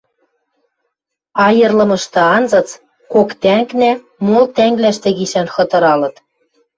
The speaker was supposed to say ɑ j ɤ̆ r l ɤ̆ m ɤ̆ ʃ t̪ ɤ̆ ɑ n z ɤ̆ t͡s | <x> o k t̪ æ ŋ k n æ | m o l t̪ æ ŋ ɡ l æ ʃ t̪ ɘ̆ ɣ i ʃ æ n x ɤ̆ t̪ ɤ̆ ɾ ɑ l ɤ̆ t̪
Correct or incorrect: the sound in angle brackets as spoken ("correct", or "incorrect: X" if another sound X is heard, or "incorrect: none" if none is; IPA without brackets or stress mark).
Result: incorrect: k